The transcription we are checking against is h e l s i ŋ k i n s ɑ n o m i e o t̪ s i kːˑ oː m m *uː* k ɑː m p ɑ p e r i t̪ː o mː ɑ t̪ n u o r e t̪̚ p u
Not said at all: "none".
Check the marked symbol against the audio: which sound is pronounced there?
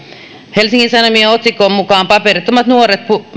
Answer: u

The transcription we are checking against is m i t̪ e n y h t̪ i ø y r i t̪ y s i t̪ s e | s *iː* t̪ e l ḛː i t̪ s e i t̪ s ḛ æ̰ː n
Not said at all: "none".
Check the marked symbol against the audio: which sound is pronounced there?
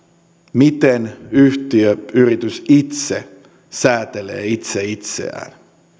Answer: æː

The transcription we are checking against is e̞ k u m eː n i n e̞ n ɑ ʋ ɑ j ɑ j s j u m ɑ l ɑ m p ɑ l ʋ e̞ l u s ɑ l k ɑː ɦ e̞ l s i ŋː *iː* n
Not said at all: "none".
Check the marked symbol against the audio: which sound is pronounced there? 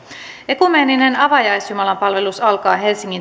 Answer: i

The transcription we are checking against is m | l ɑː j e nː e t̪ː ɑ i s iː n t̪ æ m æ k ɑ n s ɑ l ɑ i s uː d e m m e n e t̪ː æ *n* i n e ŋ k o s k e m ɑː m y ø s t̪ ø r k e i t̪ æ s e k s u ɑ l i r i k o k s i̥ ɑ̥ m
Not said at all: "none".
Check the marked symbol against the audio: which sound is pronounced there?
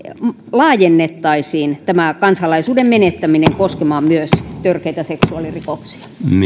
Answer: m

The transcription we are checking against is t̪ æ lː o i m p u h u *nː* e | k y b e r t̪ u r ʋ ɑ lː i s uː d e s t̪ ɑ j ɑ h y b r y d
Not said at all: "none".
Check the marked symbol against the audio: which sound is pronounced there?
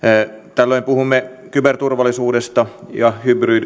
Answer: mː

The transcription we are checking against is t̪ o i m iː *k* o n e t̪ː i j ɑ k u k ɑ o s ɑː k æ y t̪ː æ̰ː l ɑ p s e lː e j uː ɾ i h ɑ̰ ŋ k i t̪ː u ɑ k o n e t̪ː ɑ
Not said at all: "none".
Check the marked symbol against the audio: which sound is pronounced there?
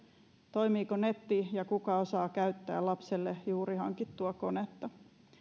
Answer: k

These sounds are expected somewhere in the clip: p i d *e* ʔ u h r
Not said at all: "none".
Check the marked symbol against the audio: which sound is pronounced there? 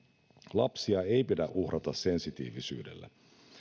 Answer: æ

